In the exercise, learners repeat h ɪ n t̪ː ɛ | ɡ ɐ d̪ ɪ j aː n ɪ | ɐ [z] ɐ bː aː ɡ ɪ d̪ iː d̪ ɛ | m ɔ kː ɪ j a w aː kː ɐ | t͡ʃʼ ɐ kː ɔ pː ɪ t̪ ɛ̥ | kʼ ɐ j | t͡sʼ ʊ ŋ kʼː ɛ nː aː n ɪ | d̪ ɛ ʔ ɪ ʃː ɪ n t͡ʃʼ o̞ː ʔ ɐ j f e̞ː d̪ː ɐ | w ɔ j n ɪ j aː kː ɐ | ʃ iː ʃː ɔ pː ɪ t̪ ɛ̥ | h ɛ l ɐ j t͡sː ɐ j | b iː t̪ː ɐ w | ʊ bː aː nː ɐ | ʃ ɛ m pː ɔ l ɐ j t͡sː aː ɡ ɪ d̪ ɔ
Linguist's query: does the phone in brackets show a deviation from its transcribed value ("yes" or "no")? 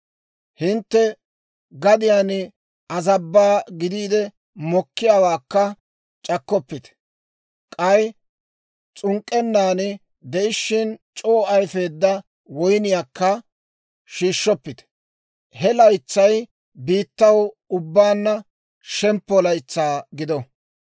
no